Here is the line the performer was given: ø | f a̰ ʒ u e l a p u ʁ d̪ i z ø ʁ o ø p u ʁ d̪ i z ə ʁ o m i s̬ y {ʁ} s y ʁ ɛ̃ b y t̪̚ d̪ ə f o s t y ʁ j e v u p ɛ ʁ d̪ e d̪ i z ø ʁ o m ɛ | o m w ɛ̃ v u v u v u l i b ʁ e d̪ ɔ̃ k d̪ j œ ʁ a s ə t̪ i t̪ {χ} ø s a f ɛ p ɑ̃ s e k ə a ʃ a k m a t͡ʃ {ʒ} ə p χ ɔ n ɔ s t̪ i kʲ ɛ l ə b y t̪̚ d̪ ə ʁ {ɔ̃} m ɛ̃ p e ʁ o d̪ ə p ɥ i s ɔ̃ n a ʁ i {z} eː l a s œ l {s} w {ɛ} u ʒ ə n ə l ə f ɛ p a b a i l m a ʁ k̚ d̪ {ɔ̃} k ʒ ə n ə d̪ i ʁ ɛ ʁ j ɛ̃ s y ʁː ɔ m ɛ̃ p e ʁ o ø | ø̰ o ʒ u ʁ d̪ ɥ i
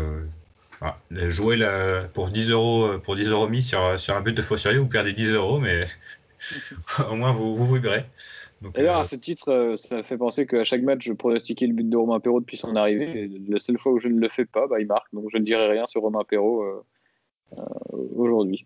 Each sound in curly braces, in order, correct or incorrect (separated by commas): correct, correct, correct, incorrect, incorrect, incorrect, incorrect, correct